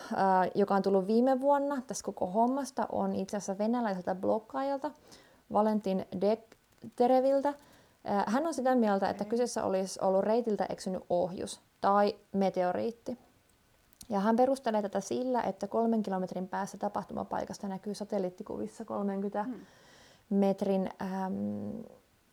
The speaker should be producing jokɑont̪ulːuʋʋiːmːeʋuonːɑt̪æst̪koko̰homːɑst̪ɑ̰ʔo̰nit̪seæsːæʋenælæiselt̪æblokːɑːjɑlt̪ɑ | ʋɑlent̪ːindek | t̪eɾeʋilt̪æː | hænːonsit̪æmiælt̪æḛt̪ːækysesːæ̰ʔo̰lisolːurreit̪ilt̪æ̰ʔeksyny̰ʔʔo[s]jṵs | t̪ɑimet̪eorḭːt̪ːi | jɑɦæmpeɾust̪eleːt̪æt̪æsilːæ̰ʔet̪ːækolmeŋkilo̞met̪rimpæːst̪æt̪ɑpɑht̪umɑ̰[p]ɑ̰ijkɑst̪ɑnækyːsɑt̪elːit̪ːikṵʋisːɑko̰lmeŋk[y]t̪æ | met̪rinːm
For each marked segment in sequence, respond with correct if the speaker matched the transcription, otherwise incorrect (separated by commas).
incorrect, correct, correct